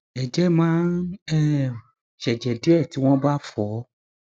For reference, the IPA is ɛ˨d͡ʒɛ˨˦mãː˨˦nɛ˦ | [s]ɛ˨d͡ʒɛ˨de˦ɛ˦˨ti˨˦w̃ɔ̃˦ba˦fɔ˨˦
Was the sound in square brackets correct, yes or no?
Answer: no